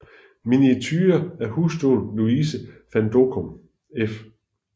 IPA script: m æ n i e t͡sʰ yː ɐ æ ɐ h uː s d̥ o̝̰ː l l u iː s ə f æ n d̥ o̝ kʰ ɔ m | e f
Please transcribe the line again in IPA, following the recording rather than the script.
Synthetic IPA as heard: m i n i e t͡sʰ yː ɐ æ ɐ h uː s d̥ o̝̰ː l l u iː s ə f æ n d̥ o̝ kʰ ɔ m | e f